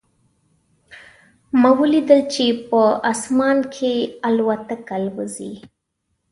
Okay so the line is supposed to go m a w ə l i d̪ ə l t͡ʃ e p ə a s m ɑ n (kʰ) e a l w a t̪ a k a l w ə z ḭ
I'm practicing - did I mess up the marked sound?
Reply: no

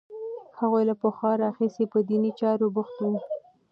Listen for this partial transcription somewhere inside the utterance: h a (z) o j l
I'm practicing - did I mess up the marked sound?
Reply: yes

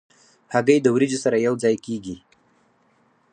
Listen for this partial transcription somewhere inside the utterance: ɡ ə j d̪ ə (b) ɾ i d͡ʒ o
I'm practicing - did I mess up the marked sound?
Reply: yes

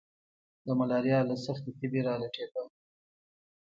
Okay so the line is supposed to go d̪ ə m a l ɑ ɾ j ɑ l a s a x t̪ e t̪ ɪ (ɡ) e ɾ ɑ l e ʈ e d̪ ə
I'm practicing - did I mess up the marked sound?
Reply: yes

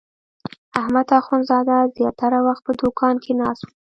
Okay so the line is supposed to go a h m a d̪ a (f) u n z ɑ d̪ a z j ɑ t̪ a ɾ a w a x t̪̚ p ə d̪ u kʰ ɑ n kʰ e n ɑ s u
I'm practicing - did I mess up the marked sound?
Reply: yes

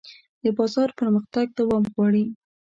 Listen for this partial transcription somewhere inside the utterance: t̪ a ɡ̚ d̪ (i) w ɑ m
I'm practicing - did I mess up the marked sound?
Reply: yes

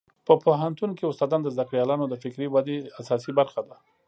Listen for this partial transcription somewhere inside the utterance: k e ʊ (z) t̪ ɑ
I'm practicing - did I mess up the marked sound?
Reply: yes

